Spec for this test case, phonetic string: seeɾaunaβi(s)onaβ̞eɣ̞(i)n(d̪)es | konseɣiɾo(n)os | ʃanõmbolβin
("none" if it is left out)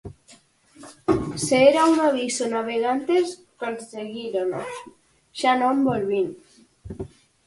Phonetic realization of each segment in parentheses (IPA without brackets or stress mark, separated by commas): s, a, t̪, n